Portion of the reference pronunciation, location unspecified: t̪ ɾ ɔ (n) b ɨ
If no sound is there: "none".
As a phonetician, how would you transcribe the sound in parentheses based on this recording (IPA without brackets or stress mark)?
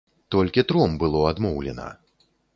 m